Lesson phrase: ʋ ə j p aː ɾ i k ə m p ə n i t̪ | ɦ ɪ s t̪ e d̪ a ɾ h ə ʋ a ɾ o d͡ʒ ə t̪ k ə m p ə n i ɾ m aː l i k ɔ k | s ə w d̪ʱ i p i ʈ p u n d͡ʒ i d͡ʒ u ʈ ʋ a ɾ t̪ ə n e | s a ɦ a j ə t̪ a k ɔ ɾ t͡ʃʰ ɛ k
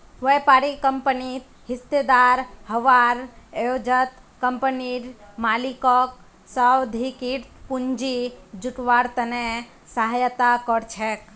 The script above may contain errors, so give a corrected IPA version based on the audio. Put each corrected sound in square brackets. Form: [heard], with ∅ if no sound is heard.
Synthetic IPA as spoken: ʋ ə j p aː ɾ i k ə m p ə n i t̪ | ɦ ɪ s t̪ e d̪ a ɾ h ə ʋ a ɾ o d͡ʒ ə t̪ k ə m p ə n i ɾ m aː l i k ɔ k | s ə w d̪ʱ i [k] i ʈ p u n d͡ʒ i d͡ʒ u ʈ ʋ a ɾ t̪ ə n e | s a ɦ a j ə t̪ a k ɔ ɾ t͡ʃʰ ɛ k